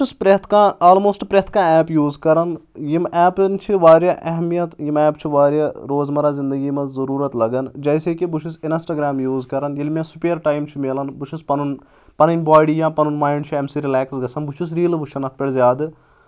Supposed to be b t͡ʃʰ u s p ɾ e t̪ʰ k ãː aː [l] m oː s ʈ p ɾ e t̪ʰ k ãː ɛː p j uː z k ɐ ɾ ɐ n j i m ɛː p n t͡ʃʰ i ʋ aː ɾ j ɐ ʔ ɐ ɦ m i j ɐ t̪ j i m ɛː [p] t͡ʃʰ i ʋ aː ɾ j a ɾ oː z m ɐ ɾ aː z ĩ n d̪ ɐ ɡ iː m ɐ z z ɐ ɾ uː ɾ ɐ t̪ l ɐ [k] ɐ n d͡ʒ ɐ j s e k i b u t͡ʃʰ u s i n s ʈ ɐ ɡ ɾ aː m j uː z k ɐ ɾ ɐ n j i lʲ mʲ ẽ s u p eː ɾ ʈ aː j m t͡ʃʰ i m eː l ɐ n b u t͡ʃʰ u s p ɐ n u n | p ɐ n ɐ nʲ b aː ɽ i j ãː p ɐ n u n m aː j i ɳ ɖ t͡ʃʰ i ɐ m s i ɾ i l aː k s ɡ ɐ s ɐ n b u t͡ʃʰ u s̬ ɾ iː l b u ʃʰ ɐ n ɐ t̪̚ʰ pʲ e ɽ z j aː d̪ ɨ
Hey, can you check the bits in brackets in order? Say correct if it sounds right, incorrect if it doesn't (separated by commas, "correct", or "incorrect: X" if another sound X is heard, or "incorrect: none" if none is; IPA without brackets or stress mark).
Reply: correct, correct, incorrect: ɡ